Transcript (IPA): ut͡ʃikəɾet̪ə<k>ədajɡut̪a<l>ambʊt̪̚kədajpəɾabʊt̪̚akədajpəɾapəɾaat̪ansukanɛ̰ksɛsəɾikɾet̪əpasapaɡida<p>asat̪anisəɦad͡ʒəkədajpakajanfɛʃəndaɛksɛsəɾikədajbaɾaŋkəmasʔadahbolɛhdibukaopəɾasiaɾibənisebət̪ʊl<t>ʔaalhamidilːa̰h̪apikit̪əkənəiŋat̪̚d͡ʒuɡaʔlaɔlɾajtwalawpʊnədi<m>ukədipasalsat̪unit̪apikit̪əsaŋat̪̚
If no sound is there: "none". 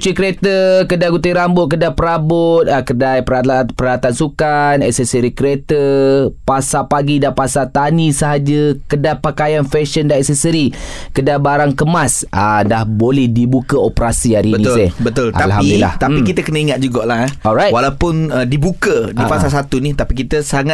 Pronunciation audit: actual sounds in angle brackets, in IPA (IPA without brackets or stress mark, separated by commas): k, ɾ, p, t, b